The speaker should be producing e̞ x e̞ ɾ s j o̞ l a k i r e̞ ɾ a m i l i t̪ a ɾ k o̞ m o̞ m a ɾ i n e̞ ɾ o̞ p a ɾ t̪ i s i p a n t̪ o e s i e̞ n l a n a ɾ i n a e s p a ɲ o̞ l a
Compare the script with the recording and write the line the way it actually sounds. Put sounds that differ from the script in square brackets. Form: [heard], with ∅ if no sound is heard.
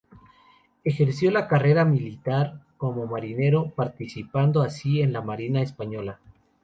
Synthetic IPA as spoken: e̞ x e̞ ɾ s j o̞ l a k [a] r e̞ ɾ a m i l i t̪ a ɾ k o̞ m o̞ m a ɾ i n e̞ ɾ o̞ p a ɾ t̪ i s i p a n [d̪] o [a] s i e̞ n l a [m] a ɾ i n a e s p a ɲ o̞ l a